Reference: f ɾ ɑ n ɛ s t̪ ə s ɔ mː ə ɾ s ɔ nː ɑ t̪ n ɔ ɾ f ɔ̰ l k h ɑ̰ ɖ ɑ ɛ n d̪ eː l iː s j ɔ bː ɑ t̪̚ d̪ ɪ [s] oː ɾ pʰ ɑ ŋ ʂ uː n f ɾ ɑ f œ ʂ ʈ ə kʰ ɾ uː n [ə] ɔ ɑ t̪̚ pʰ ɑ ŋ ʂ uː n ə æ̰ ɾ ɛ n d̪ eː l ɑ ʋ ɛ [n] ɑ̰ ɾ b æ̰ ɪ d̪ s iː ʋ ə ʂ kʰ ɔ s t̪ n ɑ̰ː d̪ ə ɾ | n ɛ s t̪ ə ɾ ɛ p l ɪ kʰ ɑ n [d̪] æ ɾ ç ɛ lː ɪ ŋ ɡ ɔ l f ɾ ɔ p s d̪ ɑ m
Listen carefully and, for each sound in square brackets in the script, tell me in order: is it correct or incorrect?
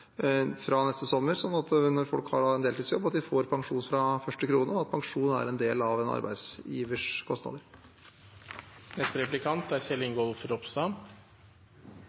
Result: incorrect, correct, correct, incorrect

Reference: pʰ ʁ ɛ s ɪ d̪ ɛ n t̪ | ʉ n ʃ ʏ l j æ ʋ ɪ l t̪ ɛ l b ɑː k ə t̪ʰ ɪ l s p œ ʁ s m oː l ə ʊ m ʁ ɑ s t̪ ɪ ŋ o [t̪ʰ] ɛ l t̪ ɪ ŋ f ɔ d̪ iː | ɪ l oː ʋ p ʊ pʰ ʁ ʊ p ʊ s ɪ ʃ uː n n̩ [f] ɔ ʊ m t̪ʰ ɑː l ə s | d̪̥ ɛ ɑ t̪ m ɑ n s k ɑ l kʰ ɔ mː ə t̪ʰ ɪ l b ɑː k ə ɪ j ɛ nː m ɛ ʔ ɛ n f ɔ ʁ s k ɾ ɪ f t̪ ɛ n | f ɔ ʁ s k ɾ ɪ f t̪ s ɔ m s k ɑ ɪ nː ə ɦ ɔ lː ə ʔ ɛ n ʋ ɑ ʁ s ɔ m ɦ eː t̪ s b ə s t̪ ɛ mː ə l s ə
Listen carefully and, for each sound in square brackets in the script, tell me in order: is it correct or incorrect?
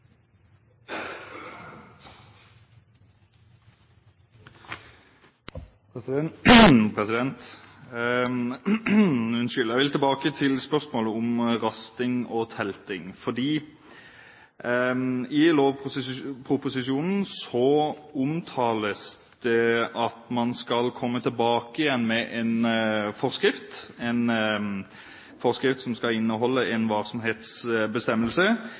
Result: correct, incorrect

